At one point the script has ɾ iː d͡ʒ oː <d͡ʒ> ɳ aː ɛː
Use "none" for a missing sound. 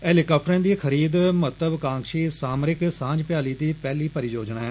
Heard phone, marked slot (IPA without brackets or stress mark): d͡ʒ